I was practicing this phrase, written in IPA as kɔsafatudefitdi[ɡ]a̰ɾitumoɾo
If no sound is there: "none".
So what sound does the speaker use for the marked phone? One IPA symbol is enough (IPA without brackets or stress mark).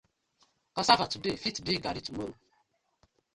ɡ